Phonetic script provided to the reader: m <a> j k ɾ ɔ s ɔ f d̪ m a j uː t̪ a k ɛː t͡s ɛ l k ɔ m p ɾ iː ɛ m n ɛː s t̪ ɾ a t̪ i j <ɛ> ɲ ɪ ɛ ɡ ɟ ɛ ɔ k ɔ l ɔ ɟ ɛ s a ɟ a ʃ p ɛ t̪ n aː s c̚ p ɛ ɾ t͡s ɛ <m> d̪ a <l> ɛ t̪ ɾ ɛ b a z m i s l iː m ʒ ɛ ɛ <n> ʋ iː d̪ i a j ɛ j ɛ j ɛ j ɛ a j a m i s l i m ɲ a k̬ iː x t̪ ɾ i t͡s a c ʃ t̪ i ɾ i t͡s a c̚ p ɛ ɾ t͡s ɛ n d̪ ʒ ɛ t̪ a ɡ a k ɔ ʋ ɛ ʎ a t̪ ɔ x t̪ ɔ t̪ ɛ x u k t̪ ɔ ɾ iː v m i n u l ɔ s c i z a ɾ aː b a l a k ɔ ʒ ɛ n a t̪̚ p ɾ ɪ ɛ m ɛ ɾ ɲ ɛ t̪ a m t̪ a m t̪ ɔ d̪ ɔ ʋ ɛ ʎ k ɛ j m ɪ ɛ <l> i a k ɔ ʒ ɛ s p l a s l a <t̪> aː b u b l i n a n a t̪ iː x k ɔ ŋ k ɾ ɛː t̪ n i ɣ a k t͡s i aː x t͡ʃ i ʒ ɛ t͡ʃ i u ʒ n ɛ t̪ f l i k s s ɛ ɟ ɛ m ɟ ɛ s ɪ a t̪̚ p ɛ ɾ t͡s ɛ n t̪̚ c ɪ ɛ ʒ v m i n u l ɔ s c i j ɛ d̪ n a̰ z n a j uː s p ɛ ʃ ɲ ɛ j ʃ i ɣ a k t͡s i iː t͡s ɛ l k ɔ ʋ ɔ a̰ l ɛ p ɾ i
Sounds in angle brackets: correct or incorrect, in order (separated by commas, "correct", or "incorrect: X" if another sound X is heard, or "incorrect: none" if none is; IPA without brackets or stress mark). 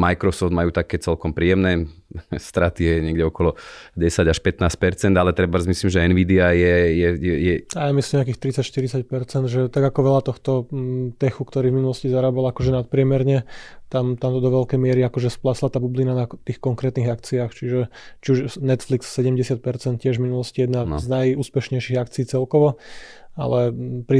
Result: correct, correct, incorrect: n, correct, correct, incorrect: ɾ, correct